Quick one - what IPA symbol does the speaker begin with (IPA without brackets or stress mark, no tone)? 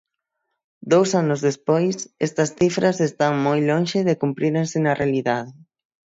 d̪